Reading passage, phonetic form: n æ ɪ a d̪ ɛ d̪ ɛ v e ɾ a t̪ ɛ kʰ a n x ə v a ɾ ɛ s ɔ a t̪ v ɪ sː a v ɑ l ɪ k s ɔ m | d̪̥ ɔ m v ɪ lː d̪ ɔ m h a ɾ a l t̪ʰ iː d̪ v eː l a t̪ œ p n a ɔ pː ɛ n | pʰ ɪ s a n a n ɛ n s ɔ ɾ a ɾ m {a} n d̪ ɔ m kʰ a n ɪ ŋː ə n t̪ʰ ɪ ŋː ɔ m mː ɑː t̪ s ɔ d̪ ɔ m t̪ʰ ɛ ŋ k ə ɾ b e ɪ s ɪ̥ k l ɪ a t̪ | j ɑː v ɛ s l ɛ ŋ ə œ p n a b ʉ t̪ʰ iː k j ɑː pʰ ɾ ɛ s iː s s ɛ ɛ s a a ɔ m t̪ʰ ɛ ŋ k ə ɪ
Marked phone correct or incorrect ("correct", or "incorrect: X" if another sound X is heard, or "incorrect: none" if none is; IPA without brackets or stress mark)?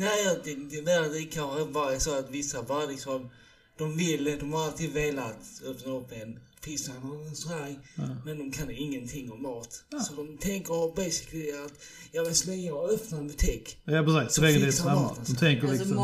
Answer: incorrect: ɛ